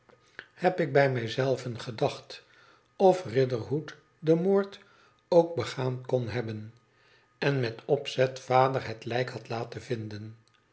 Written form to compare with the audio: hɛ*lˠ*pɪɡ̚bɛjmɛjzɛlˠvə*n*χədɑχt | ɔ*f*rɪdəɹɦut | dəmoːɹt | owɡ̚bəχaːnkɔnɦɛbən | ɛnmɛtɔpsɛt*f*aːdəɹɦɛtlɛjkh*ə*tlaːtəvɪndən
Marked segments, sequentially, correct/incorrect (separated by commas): incorrect, correct, correct, correct, incorrect